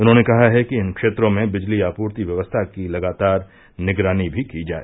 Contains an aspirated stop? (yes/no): yes